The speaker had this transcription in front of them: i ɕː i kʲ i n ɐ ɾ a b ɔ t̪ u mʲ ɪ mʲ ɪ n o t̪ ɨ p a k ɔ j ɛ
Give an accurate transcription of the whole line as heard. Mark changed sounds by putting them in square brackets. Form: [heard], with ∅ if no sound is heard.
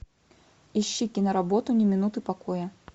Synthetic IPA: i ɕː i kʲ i n ɐ ɾ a b ɔ t̪ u [nʲ] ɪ mʲ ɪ n [u] t̪ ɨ p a k ɔ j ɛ